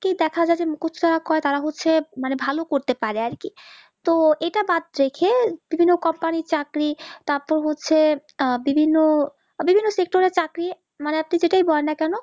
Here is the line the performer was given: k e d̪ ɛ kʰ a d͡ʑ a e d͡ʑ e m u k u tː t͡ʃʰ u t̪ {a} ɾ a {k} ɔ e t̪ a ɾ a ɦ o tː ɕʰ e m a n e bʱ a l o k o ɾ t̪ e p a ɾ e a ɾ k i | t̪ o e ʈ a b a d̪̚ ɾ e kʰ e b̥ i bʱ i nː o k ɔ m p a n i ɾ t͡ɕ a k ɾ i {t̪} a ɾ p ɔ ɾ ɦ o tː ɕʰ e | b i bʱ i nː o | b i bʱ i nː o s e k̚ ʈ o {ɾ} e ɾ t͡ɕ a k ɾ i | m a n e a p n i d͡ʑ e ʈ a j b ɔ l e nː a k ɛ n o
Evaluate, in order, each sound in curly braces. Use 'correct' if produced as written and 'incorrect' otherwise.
correct, correct, correct, correct

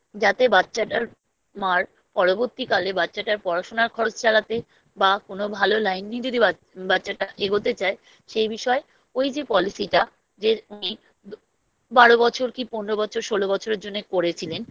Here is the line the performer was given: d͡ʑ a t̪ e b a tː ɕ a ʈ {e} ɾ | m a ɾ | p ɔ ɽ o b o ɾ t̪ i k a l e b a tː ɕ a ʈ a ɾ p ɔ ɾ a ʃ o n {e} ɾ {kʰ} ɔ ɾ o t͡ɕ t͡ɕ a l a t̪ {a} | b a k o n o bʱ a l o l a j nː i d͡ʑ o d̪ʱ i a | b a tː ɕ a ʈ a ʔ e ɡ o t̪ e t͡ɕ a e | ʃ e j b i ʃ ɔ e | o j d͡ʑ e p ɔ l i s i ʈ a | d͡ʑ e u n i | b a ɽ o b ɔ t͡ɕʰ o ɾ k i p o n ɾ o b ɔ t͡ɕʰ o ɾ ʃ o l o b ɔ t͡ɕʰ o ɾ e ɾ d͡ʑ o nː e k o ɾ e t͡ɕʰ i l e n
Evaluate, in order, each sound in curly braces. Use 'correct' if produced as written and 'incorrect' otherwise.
incorrect, incorrect, correct, incorrect

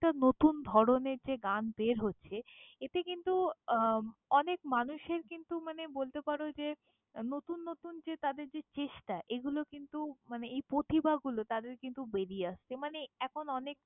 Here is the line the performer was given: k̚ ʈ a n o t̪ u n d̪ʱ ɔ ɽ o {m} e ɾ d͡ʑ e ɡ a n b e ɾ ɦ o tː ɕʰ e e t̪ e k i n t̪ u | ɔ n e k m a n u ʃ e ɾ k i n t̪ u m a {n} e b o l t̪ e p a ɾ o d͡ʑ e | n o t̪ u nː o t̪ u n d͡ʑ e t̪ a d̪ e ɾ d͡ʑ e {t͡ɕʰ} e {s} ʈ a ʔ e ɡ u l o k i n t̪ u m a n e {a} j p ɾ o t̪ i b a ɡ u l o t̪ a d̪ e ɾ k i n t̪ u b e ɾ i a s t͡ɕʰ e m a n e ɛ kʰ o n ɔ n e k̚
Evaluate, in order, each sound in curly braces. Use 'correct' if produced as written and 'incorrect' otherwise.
incorrect, correct, incorrect, incorrect, incorrect

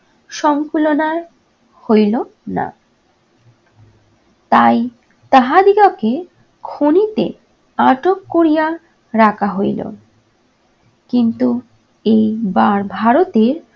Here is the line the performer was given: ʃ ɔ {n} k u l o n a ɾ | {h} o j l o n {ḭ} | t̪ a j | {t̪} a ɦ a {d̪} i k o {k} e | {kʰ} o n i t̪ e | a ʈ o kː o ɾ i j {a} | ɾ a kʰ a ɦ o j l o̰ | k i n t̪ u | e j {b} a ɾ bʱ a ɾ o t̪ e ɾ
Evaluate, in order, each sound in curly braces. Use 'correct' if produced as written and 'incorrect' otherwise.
incorrect, correct, incorrect, correct, correct, correct, correct, correct, correct

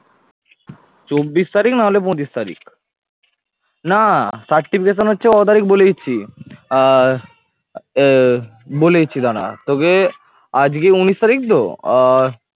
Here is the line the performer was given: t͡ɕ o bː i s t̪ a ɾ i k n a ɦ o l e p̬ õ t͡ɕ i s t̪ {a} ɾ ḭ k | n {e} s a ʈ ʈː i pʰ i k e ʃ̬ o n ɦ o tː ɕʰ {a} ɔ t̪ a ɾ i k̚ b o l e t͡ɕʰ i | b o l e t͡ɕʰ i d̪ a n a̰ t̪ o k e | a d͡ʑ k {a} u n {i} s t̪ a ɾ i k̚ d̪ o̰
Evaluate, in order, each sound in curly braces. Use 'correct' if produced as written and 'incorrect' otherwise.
correct, incorrect, incorrect, incorrect, correct

